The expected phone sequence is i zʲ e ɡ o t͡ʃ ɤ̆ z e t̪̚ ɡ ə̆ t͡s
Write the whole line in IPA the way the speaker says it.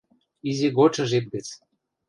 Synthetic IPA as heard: i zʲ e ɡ o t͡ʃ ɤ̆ ʒ e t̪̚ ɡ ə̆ t͡s